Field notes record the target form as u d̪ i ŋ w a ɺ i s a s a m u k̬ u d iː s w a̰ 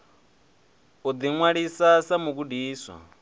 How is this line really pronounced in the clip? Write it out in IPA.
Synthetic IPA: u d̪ i ŋ w a ɺ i s a s a m u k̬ u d iː s w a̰

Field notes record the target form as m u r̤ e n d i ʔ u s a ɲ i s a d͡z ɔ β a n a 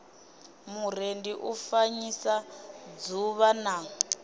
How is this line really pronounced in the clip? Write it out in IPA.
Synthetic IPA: m u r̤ e n d i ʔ u f a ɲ i s a d͡z u β a n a

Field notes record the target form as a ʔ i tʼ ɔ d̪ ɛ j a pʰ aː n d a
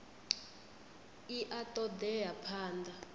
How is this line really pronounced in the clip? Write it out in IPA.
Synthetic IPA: i ʔ a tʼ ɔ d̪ ɛ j a pʰ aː n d a

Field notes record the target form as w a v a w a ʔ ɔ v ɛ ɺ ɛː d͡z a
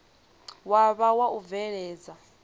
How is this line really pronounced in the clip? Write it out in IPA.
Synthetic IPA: w a β a w a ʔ u v ɛ ɺ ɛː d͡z a

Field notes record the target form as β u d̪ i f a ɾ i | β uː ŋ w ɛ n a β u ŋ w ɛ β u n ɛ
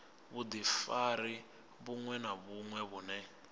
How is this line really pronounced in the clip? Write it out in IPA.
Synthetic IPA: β u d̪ i f a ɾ i | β u ŋ w ɛ n a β u ŋ w ɛ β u n ɛ

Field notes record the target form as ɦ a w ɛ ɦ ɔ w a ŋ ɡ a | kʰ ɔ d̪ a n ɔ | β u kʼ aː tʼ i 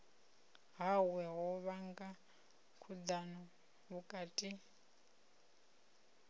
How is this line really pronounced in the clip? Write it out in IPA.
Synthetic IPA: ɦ a w ɛ ɦ ɔ β a ŋ ɡ a | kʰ u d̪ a n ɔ | β u kʼ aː tʼ i

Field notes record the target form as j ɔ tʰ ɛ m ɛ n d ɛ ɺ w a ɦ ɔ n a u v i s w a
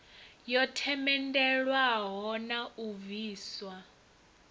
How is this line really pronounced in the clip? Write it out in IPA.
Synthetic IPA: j ɔ tʰ ɛ m ɛ n d ɛ ɺ w a ɦ ɔ n a u v iː s w a

